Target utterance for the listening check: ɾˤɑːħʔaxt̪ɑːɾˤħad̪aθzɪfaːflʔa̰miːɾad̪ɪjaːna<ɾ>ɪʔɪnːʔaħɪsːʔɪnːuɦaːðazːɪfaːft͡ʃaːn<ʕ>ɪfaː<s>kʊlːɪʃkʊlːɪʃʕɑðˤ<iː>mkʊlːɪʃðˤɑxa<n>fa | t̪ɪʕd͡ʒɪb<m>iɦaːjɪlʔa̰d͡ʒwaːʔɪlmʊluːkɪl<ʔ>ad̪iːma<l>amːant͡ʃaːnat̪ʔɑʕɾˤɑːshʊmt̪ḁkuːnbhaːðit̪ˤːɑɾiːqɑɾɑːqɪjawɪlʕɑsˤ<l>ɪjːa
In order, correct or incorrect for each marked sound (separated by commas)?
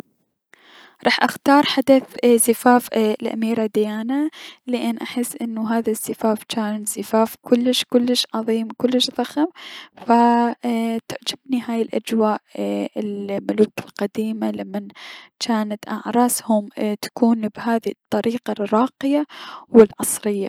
incorrect, incorrect, incorrect, correct, incorrect, incorrect, incorrect, correct, incorrect